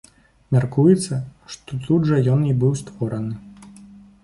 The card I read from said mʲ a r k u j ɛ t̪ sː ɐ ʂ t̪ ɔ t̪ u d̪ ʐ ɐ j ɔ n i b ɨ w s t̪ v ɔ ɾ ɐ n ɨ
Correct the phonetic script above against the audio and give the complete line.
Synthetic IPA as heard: mʲ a r k u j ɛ t̪ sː ɐ ʂ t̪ ɔ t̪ u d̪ ʐ ɐ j ɔ n i b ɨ w s t̪ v ɔ ɾ ɐ n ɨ